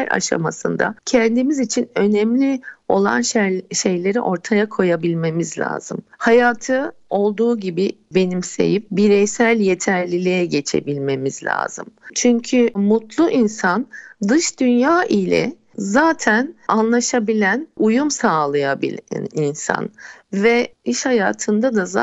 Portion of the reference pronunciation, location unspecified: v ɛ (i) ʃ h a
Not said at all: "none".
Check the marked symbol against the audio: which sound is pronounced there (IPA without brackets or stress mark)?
i